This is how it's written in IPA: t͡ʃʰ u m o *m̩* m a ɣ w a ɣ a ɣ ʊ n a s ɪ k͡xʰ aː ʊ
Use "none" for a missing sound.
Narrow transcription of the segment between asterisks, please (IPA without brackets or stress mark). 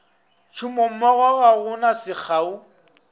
m̩